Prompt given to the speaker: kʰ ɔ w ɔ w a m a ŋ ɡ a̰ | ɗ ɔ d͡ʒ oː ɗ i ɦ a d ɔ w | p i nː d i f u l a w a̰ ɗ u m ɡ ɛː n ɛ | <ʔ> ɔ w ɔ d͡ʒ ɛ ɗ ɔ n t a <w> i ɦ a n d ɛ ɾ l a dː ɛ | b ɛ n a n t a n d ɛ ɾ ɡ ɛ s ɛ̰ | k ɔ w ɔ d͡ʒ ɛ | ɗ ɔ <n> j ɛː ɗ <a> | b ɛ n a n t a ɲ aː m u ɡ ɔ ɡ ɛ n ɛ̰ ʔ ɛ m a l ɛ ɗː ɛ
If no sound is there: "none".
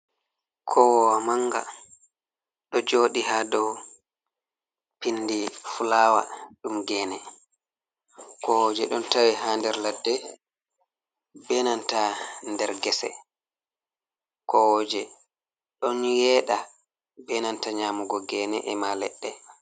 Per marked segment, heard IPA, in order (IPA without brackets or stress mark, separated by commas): k, w, n, a